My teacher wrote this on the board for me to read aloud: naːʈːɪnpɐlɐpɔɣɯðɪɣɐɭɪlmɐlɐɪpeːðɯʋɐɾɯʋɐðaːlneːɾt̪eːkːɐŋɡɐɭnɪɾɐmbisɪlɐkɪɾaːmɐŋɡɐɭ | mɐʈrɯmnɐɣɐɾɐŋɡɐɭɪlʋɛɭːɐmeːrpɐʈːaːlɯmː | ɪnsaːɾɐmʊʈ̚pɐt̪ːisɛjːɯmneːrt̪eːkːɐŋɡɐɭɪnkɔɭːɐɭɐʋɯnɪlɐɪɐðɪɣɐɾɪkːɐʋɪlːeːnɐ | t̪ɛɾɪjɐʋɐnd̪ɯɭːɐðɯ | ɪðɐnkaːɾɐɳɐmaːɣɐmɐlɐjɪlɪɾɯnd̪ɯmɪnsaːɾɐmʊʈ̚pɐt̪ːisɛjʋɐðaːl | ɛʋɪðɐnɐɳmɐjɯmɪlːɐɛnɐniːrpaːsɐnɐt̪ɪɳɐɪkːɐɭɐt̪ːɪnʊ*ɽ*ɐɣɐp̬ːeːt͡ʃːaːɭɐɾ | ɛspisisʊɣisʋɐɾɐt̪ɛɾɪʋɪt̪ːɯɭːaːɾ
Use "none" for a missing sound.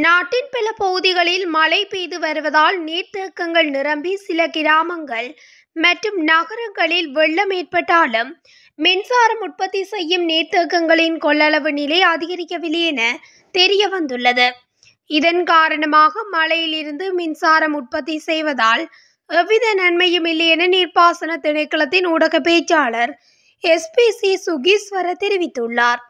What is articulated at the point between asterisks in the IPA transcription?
ɽ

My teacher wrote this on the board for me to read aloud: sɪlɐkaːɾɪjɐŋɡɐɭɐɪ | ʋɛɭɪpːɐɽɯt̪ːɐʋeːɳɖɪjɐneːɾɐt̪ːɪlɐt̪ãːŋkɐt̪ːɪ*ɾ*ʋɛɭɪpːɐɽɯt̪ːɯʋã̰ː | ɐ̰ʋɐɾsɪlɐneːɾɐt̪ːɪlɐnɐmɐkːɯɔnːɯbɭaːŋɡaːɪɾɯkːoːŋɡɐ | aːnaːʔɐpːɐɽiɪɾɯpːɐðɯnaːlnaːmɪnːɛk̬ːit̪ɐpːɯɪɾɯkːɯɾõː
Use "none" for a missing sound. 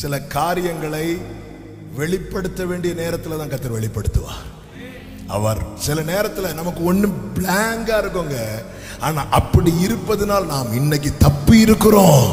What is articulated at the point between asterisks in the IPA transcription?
ɾ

